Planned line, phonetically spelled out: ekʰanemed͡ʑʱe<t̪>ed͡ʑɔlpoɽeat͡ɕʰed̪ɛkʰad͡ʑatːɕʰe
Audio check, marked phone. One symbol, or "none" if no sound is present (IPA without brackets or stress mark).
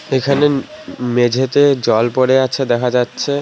t̪